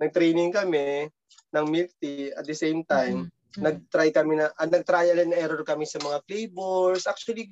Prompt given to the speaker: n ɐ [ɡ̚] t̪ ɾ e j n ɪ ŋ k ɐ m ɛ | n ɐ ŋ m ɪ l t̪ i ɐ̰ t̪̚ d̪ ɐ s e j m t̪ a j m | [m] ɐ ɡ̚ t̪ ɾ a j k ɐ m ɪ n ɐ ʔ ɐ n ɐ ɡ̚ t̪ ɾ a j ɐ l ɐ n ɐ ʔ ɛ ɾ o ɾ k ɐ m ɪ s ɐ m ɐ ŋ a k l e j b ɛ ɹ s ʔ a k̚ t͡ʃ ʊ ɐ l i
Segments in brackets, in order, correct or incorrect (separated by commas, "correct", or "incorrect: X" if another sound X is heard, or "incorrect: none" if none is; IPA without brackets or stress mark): correct, incorrect: n